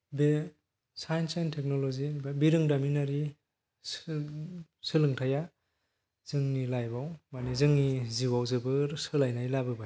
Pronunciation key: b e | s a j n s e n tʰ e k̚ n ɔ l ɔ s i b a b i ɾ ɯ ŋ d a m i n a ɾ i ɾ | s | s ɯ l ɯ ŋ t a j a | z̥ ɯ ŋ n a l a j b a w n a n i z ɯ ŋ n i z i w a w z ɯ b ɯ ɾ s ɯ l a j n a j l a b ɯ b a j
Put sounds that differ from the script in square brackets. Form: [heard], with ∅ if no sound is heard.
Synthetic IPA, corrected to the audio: b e | s a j n s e n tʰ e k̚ n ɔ l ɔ [z] i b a b i ɾ ɯ ŋ d a m i n a ɾ i [∅] | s | s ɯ l ɯ ŋ [tʰ] a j a | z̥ ɯ ŋ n [i] l a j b a w [m] a n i z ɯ ŋ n i z i w a w z ɯ b ɯ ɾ s ɯ l a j n a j l a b ɯ b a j